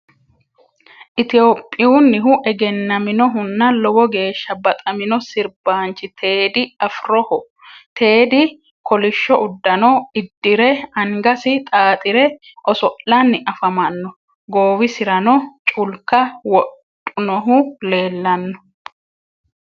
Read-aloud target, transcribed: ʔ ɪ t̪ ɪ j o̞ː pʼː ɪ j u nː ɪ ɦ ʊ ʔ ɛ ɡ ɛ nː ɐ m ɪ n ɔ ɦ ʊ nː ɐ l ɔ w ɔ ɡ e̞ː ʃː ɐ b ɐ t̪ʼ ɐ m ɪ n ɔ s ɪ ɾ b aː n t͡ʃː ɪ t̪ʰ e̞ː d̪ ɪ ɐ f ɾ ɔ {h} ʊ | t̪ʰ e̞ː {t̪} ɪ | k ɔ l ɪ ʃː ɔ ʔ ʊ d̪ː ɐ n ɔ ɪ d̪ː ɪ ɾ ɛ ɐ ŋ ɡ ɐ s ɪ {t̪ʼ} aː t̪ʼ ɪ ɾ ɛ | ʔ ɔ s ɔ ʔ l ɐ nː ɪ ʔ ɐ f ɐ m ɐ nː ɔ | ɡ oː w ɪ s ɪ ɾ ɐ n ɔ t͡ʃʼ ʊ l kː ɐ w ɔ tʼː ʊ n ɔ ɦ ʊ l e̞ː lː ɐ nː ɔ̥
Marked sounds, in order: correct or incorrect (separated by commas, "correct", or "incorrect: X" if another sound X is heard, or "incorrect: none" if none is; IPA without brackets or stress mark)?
correct, incorrect: d̪, correct